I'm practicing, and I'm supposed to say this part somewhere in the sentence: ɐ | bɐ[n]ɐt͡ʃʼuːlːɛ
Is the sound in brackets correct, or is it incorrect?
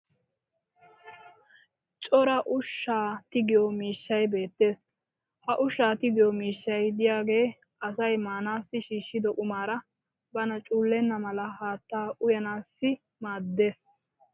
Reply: correct